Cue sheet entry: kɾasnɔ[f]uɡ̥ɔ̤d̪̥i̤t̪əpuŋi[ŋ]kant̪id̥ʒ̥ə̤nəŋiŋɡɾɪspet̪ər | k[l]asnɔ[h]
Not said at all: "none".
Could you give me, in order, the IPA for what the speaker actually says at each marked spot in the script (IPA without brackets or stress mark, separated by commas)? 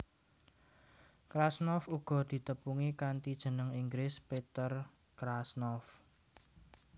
f, none, ɾ, f